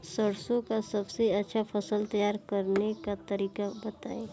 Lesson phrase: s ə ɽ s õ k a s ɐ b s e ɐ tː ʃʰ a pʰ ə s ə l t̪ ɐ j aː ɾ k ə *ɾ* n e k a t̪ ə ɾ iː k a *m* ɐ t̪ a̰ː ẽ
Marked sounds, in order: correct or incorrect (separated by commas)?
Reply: correct, incorrect